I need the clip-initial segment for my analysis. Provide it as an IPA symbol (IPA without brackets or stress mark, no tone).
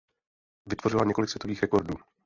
v